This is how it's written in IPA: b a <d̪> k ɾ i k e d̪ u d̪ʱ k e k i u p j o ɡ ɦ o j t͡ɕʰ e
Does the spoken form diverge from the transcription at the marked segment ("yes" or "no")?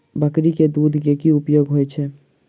yes